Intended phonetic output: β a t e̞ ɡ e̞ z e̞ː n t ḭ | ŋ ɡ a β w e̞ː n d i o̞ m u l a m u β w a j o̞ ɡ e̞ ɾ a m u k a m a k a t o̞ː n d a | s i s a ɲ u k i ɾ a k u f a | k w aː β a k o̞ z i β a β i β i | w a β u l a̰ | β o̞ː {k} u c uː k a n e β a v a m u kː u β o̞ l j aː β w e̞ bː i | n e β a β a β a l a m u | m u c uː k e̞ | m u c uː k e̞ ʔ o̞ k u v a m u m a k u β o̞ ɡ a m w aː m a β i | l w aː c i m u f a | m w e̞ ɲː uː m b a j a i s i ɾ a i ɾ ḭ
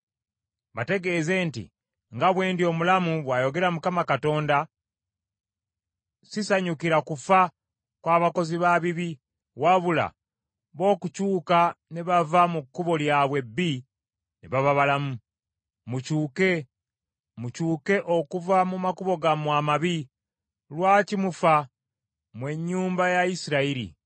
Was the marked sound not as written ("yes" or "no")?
no